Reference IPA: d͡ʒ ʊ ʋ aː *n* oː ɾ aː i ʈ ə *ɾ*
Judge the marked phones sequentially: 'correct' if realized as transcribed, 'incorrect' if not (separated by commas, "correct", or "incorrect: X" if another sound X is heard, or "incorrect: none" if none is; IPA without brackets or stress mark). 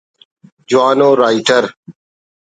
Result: correct, correct